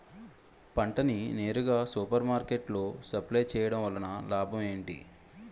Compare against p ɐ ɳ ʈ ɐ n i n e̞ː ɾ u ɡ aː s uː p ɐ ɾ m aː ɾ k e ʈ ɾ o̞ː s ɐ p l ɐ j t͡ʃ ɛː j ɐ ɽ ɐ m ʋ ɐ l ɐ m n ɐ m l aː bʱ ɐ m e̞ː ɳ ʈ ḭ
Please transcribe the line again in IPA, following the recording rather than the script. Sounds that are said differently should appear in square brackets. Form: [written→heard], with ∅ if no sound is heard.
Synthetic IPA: p ɐ ɳ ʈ ɐ n i n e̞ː ɾ u ɡ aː s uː p ɐ ɾ m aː ɾ k e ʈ [ɾ→l] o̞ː s ɐ p l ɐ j t͡ʃ ɛː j ɐ ɽ ɐ m ʋ ɐ l ɐ [m→∅] n ɐ [m→∅] l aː bʱ ɐ m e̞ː ɳ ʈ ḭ